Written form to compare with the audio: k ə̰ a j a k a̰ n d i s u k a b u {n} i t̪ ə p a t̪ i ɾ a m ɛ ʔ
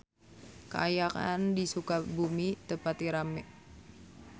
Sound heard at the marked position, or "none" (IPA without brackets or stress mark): m